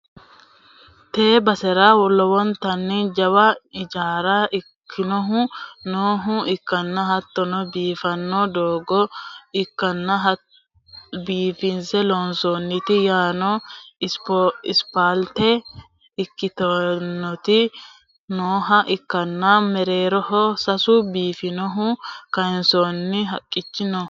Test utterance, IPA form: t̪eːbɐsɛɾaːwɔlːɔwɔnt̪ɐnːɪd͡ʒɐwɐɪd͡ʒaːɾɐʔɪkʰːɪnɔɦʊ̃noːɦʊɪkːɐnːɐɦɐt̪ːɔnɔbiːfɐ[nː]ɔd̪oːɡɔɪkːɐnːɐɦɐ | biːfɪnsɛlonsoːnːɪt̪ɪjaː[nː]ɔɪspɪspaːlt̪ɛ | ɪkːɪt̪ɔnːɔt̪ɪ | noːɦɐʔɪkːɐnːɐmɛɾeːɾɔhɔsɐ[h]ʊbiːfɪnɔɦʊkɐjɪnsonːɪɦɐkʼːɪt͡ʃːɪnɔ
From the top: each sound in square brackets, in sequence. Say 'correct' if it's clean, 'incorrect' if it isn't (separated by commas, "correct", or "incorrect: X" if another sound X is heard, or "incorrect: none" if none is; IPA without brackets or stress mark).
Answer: correct, incorrect: n, incorrect: s